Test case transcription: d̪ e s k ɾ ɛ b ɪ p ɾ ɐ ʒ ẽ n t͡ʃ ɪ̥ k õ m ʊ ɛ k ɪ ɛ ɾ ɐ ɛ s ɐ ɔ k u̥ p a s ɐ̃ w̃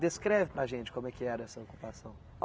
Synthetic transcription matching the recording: d̪ e s k ɾ ɛ v ɪ p ɾ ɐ ʒ ẽ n t͡ʃ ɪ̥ k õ m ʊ ɛ k ɪ ɛ ɾ ɐ ɛ s ɐ o k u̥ p a s ɐ̃ w̃